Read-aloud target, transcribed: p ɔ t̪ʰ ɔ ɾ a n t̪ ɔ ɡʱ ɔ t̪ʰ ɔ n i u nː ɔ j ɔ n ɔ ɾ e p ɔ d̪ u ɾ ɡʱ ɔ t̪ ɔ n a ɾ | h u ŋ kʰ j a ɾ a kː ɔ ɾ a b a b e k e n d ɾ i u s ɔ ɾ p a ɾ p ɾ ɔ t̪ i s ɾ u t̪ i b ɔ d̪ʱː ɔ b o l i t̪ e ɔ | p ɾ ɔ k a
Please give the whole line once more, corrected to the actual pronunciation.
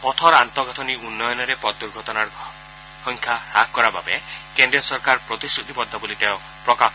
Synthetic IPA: p ɔ t̪ʰ ɔ ɾ a n t̪ ɔ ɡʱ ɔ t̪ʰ ɔ n i u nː ɔ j ɔ n ɔ ɾ e p ɔ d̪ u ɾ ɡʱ ɔ t̪ ɔ n a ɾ | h ɔ ŋ kʰ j a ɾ a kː ɔ ɾ a b a b e k e n d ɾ i ɔ s ɔ ɾ k a ɾ p ɾ ɔ t̪ i s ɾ u t̪ i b ɔ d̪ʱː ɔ b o l i t̪ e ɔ | p ɾ ɔ k a

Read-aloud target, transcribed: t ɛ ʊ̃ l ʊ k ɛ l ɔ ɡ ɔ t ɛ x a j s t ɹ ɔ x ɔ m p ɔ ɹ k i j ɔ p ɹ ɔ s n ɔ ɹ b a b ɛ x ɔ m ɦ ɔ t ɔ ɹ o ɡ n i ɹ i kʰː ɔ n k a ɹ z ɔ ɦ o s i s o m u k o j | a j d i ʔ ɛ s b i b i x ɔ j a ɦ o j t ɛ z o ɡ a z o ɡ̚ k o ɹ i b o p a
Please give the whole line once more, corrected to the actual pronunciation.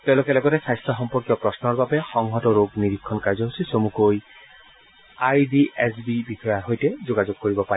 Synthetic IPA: t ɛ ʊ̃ l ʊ k ɛ l ɔ ɡ ɔ t ɛ s a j s t ɹ ɔ x ɔ m p ɔ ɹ k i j ɔ p ɹ ɔ s n ɔ ɹ b a b ɛ x ɔ ŋ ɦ ɔ t ɔ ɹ o ɡ n i ɹ i kʰː ɔ n k a ɹ z ɔ ɦ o s i s o m u k o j | a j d i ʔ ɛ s b i b i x ɔ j a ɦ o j t ɛ z o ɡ a z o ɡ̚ k o ɹ i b ɔ p a

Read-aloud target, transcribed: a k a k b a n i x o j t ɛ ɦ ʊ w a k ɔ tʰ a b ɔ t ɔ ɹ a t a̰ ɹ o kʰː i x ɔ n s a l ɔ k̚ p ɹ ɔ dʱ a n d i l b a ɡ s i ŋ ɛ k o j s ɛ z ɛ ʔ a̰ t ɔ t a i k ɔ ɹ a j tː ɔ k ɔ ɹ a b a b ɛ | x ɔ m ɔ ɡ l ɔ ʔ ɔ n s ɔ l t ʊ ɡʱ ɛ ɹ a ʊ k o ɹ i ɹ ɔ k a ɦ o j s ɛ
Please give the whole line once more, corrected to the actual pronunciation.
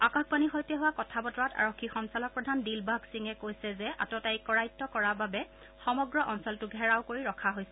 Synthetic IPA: a k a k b a n i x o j t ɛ ɦ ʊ w a k ɔ tʰ a b ɔ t ɔ ɹ a t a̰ ɹ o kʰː i x ɔ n s a l ɔ k̚ p ɹ ɔ dʱ a n d i l b a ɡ s i ŋ ɛ k o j s ɛ z ɛ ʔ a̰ t ɔ t a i k ɔ ɹ a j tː ɔ k ɔ ɹ a b a b ɛ | x ɔ m ɔ ɡ ɹ ɔ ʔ ɔ n s ɔ l t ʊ ɡʱ ɛ ɹ a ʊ k o ɹ i ɹ ɔ kʰ a ɦ o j s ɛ

